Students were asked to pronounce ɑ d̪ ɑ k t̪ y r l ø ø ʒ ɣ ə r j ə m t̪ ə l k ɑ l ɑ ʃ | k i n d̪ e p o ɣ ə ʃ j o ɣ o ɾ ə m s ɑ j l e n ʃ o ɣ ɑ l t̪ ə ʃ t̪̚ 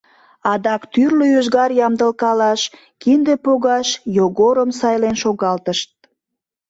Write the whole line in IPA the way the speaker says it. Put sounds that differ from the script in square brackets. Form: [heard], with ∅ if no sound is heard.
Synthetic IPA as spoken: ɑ d̪ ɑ k t̪ y r l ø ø ʒ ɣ [ɑ] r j [ɑ] m [d̪] ə l k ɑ l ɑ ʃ | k i n d̪ e p o ɣ [ɑ] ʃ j o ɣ o ɾ ə m s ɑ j l e n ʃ o ɣ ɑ l t̪ ə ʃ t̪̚

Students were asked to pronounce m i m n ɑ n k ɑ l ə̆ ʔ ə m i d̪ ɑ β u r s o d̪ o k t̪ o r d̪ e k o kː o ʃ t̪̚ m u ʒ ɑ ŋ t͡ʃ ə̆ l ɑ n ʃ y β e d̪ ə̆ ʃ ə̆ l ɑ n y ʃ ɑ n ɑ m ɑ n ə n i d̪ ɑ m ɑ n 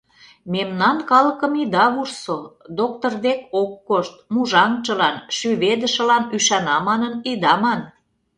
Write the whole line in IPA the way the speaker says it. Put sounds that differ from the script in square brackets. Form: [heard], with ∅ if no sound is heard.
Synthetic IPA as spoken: m [e] m n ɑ n k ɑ l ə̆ [k] ə m i d̪ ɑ β u r s o d̪ o k t̪ o r d̪ e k o kː o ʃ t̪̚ m u ʒ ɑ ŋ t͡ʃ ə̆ l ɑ n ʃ y β e d̪ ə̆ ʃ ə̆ l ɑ n y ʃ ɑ n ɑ m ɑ n ə n i d̪ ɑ m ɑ n

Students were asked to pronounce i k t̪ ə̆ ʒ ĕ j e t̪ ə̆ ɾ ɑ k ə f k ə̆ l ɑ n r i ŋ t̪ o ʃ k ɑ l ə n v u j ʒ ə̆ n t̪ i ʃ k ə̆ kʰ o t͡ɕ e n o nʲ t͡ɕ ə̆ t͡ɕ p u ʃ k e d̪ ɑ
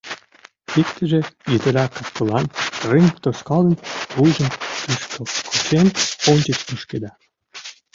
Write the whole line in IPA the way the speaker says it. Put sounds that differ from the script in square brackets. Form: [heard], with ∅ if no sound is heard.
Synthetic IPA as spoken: i k t̪ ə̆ ʒ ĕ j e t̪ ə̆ ɾ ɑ k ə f k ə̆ l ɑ n r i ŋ t̪ o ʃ k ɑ l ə n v u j ʒ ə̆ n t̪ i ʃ k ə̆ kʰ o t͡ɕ e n o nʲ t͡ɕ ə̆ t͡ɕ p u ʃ k e d̪ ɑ

